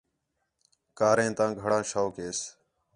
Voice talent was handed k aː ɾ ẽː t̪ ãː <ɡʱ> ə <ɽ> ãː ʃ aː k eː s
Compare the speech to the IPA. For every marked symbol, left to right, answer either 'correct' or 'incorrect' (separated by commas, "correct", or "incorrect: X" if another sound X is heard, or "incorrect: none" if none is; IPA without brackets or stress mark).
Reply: correct, correct